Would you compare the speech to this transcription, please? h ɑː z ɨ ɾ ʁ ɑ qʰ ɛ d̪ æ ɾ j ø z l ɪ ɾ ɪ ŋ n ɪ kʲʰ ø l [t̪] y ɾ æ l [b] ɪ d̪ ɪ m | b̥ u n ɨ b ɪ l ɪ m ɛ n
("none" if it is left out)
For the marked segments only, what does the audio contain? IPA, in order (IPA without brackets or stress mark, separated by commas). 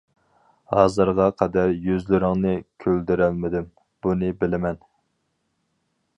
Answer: d̪, m